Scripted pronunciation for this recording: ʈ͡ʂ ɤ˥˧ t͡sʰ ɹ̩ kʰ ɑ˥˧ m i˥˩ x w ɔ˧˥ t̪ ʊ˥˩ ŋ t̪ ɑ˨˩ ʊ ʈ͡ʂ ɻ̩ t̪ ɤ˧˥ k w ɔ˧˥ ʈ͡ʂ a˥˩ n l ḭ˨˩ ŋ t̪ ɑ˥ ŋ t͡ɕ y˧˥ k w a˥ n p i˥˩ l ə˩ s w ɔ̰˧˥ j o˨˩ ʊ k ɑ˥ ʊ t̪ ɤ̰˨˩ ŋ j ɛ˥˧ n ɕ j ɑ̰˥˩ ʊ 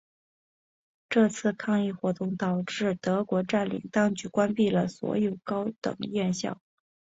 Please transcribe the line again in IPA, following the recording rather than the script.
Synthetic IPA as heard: ʈ͡ʂ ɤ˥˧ t͡sʰ ɹ̩ kʰ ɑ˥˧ ŋ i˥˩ x w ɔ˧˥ t̪ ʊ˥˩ ŋ t̪ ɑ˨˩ ʊ ʈ͡ʂ ɻ̩ t̪ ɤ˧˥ k w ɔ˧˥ ʈ͡ʂ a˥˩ n l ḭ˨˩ ŋ t̪ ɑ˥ ŋ t͡ɕ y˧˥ k w a˥ n p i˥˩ l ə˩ s w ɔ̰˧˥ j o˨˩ ʊ k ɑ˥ ʊ t̪ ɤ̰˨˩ ŋ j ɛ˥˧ n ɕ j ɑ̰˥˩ ʊ